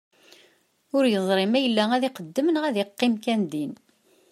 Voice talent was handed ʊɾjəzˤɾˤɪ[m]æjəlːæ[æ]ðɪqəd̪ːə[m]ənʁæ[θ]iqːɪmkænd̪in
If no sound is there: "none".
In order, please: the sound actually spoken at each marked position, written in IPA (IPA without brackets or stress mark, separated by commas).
m, æ, m, ð